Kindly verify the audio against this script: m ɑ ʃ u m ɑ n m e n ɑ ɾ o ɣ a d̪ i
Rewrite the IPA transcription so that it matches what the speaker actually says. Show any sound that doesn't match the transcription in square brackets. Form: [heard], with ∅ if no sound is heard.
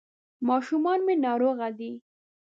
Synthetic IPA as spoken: m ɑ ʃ u m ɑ n m e n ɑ ɾ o ɣ a d̪ i